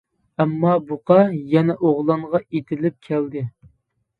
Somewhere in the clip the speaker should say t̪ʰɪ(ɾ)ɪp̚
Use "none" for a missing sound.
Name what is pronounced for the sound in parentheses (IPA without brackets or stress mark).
l